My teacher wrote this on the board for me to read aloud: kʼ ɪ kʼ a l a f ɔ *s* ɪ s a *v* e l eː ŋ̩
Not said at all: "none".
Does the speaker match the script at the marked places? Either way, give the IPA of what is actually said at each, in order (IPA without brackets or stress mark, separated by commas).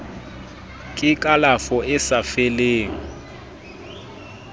none, f